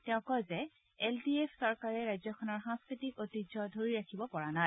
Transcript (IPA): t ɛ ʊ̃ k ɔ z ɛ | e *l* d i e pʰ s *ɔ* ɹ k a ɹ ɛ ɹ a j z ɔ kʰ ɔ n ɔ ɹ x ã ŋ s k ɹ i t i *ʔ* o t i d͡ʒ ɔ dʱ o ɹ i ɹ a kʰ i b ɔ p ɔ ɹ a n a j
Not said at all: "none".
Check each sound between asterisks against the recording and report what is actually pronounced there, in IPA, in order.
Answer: l, ɔ, k

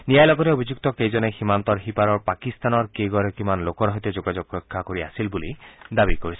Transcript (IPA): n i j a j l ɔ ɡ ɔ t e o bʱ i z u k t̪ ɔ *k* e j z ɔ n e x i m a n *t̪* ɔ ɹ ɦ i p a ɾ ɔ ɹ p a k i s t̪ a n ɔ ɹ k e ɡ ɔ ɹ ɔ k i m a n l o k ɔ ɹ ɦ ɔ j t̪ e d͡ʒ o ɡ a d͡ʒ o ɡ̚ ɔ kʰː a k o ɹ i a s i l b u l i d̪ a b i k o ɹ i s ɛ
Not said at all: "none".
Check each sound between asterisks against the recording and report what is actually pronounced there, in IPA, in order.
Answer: k, t̪

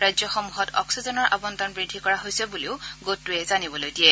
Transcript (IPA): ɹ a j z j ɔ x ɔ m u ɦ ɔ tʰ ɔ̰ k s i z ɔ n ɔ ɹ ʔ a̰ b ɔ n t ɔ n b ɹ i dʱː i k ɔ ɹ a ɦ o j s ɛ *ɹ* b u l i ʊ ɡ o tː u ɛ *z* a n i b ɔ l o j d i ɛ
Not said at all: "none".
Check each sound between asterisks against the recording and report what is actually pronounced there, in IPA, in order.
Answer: none, z

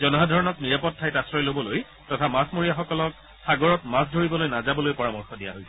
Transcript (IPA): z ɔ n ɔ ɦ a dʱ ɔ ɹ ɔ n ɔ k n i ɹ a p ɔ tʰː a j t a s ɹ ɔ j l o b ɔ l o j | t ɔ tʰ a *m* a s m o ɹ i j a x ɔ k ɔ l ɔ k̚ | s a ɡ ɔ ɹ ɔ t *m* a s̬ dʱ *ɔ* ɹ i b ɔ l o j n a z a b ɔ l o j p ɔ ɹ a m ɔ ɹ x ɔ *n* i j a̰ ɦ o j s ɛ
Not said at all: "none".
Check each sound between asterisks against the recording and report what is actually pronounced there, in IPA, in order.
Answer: m, m, o, d

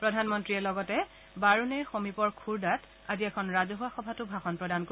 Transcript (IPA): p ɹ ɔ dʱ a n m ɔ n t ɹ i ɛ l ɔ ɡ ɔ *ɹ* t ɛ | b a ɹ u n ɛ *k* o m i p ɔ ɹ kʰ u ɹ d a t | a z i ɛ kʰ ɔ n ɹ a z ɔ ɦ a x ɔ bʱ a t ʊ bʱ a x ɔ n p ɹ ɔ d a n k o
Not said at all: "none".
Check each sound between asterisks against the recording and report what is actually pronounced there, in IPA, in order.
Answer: none, x

